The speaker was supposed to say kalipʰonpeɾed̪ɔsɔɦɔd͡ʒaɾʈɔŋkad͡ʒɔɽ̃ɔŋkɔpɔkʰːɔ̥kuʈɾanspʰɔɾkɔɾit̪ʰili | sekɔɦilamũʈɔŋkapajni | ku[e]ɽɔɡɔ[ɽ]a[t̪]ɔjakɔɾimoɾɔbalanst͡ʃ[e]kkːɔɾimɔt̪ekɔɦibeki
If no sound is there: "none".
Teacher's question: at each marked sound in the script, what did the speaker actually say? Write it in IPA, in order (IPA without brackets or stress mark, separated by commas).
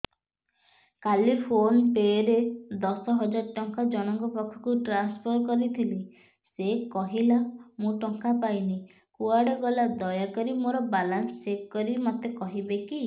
a, l, d̪, e